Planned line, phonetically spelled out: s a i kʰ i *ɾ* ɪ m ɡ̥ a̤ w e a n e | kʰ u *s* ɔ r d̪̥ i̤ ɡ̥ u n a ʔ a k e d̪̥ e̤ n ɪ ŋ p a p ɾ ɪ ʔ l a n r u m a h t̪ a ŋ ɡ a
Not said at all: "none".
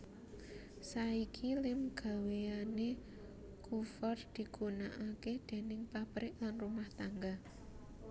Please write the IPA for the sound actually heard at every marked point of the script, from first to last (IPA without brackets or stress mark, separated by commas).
l, f